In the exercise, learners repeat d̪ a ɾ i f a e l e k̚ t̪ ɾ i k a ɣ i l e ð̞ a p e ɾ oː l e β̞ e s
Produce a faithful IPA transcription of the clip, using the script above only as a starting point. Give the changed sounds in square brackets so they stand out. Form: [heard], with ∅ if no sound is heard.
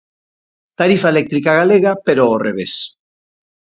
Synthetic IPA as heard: [t̪] a ɾ i f a e l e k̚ t̪ ɾ i k a ɣ [a] l e [ɣ̞] a p e ɾ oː [r] e β̞ e s